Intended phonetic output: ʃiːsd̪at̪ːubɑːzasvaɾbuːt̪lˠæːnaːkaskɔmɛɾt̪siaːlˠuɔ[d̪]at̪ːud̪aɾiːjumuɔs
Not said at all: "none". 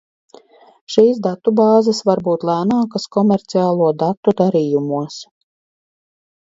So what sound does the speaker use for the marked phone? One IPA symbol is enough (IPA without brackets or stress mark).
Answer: d̪